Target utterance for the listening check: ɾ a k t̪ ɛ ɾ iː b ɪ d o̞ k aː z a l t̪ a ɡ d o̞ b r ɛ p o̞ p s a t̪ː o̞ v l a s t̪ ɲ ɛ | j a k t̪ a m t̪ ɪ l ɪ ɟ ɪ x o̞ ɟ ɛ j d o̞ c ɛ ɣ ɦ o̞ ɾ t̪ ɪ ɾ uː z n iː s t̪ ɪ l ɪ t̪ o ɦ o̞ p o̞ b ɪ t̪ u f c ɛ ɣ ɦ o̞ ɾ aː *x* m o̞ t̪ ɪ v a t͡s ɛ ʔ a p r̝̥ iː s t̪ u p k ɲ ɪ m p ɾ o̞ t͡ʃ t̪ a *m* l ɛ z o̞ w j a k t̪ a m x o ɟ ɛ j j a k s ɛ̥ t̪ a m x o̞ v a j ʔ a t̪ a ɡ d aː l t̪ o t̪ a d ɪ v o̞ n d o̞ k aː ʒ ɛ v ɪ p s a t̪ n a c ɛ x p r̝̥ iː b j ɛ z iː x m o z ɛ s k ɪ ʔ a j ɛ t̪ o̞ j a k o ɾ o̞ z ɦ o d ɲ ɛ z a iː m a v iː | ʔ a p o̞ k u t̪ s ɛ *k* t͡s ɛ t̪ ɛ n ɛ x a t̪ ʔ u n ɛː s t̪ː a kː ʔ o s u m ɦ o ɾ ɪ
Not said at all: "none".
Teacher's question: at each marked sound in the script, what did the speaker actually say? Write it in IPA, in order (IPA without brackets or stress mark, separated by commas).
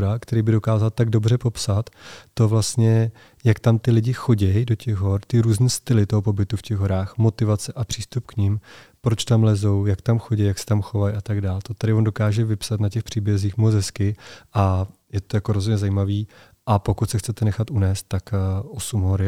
x, m, x